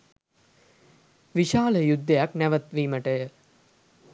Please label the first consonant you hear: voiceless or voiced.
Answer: voiced